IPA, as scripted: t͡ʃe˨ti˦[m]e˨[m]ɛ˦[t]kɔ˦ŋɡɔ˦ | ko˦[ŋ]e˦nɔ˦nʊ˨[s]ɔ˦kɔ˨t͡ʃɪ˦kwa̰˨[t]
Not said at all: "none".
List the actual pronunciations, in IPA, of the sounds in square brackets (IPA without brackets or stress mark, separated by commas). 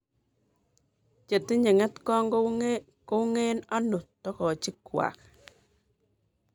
ɲ, ŋ, t, ŋ, t, k